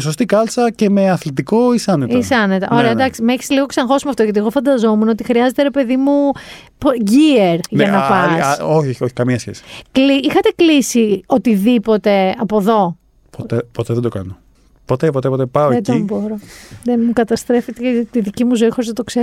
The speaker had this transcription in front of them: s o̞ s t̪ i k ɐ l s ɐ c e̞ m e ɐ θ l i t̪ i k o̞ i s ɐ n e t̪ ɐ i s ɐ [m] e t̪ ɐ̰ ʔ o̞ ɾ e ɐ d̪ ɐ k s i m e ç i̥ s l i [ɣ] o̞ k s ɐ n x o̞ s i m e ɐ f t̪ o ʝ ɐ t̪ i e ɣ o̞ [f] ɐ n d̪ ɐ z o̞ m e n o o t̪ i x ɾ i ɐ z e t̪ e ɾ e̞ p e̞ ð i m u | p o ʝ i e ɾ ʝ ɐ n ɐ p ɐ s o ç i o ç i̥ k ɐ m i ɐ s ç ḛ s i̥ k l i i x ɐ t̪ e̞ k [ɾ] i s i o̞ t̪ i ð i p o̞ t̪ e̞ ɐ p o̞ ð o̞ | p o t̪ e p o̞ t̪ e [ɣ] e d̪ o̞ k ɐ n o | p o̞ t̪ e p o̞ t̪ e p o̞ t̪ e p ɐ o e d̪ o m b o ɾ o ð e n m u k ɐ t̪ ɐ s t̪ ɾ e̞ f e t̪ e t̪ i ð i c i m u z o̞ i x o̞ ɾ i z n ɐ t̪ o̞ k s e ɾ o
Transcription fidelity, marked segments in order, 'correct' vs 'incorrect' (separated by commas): incorrect, correct, correct, incorrect, incorrect